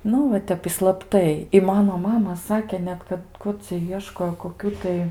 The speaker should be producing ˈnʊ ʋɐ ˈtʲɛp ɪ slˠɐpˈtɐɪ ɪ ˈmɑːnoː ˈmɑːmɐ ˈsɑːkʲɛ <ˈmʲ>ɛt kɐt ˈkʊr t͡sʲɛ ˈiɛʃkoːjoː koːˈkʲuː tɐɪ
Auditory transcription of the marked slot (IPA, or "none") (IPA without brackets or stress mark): nʲ